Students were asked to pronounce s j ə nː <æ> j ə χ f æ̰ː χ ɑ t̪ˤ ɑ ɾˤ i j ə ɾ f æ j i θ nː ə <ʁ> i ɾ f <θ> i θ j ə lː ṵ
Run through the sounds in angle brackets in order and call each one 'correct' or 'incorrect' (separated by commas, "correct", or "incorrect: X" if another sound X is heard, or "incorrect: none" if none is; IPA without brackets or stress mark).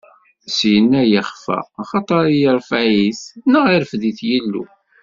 correct, correct, incorrect: ð